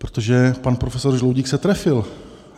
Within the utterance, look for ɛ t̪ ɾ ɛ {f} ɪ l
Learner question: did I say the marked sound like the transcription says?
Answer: yes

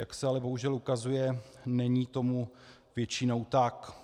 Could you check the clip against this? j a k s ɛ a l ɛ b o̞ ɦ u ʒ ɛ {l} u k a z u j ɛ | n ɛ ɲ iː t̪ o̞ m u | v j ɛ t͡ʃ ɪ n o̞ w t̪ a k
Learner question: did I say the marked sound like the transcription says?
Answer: yes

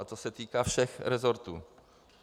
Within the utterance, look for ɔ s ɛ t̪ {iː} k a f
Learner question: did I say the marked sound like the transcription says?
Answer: no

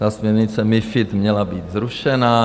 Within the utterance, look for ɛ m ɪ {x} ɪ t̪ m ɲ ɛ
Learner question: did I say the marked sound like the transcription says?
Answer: no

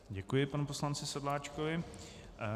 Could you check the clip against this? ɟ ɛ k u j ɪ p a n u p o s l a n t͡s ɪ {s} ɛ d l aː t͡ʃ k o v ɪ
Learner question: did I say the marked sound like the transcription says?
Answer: yes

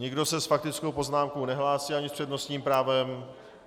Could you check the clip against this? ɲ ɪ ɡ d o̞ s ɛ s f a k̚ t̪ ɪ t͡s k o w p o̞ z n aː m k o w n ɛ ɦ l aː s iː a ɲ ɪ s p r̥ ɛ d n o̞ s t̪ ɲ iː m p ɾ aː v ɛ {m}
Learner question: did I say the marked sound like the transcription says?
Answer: yes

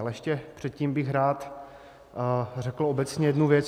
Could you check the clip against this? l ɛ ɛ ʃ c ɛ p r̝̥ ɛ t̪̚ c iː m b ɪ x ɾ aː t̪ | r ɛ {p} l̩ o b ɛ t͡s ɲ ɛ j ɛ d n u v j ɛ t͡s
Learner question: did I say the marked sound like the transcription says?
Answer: no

